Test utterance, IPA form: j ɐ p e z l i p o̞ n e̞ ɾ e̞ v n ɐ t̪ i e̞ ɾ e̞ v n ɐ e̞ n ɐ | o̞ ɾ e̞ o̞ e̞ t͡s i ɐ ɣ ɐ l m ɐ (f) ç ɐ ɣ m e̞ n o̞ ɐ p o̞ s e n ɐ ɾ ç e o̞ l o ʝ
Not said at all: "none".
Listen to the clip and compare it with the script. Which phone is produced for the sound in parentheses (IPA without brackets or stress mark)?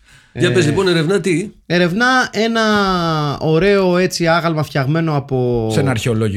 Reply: f